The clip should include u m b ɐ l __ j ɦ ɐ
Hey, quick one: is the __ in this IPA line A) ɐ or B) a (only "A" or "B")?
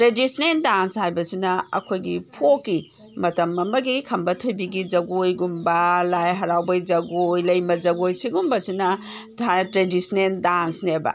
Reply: B